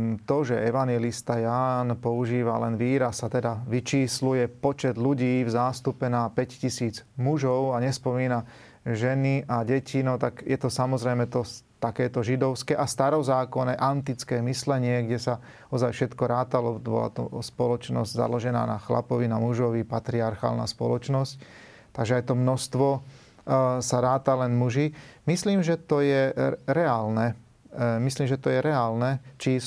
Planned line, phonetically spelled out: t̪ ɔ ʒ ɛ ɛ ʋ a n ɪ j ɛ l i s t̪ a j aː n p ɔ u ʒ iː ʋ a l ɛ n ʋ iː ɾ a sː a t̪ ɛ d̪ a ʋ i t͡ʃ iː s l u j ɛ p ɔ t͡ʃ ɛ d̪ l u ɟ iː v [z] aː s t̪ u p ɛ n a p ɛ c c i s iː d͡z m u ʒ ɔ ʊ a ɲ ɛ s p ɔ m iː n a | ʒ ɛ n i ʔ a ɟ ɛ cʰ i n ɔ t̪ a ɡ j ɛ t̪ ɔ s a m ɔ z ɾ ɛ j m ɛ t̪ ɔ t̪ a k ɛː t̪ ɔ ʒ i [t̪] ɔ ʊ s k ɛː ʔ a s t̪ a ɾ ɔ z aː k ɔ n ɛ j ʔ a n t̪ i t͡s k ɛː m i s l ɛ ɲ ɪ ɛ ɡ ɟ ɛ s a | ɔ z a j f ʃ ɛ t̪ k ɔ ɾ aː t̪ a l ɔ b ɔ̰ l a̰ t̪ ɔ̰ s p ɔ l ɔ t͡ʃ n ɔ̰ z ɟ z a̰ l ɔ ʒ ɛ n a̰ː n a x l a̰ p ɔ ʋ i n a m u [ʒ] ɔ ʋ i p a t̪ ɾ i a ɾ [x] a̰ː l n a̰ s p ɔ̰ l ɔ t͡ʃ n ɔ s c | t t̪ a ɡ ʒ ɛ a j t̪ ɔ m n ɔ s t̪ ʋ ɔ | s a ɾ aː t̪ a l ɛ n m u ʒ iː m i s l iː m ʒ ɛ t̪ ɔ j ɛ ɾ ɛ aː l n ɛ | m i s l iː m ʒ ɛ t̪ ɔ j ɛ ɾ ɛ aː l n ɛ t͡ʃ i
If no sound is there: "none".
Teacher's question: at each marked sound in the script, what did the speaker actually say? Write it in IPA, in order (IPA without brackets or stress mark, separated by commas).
z, d̪, ʒ, x